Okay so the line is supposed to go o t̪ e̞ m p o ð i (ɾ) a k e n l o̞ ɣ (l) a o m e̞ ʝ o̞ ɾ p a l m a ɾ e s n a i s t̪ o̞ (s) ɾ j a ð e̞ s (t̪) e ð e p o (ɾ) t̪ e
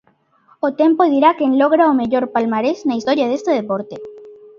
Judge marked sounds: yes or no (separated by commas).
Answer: yes, no, no, yes, yes